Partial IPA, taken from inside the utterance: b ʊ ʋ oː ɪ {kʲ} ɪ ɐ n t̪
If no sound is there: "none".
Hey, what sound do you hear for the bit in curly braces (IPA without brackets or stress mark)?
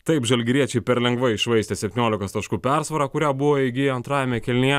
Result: ɡʲ